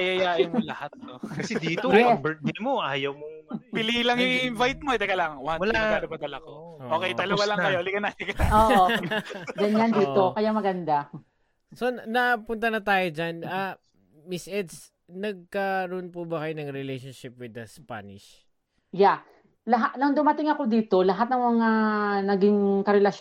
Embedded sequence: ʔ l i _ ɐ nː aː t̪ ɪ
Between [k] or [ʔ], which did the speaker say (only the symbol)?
k